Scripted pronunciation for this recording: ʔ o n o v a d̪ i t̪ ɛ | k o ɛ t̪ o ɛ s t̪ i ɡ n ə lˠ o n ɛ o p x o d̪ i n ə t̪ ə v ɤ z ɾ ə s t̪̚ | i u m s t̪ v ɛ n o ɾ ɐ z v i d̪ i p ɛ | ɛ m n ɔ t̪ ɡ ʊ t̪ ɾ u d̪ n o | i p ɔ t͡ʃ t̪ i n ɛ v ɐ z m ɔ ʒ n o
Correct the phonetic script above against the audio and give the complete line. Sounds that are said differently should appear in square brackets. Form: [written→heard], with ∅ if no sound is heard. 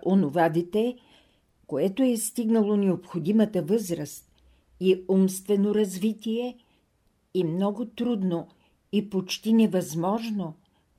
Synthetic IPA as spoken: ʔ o n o v a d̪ i t̪ ɛ | k o ɛ t̪ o ɛ s t̪ i ɡ n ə lˠ o n ɛ o p x o d̪ i [n→m] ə t̪ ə v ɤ z ɾ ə s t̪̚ | i u m s t̪ v ɛ n o ɾ ɐ z v i [d̪→t̪] i [p→∅] ɛ | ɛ m n ɔ [t̪→∅] ɡ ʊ t̪ ɾ u d̪ n o | i p [ɔ→o] t͡ʃ t̪ i n ɛ v ɐ z m ɔ ʒ n o